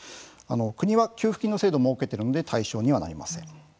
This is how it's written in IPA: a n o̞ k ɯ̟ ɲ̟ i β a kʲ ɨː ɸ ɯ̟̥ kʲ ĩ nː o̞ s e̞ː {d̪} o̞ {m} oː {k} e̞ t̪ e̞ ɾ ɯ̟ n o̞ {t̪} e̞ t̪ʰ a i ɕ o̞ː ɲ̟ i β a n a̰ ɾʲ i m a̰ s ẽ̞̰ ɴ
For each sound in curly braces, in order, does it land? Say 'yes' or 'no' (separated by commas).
yes, yes, yes, no